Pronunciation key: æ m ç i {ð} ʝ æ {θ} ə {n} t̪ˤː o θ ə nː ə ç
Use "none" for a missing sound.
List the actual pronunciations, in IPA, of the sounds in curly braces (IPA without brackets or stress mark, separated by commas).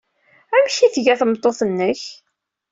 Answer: θ, θ, m